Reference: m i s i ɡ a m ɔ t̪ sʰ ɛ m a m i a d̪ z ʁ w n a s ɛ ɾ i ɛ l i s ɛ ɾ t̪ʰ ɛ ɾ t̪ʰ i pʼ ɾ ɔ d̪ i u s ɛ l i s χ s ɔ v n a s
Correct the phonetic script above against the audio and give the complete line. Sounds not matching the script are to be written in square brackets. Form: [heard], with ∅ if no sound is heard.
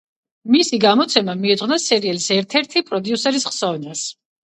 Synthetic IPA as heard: m i s i ɡ a m ɔ t̪ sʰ ɛ m a m i [ɛ] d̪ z ʁ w n a s ɛ ɾ i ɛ l i s ɛ ɾ t̪ʰ ɛ ɾ t̪ʰ i pʼ ɾ ɔ d̪ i u s ɛ [ɾ] i s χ s ɔ v n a s